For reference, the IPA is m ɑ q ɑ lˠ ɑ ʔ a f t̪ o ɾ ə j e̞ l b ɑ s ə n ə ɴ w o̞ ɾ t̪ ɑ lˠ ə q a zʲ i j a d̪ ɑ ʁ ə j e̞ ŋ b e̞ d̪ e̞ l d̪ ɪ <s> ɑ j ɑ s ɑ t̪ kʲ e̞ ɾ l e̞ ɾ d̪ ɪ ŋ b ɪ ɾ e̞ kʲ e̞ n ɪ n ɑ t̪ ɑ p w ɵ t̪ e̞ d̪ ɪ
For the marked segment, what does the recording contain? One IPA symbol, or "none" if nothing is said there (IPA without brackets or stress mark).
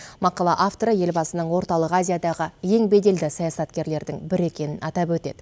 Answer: s